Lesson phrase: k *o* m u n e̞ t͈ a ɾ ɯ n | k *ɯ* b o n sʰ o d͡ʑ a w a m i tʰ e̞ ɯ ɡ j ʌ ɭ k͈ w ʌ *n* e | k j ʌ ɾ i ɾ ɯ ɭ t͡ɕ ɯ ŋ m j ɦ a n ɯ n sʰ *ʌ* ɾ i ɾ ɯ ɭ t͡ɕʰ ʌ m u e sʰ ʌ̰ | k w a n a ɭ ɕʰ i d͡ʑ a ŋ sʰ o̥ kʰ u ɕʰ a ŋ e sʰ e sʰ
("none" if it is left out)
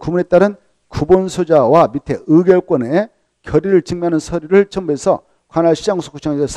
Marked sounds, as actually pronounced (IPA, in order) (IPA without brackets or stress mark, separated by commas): u, u, n, ʌ